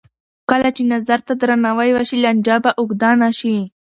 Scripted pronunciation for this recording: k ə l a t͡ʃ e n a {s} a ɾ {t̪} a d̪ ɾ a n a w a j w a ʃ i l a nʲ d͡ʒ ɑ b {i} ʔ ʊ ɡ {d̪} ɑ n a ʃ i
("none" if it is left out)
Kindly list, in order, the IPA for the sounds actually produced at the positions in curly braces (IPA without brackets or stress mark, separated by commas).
z, t̪, a, d̪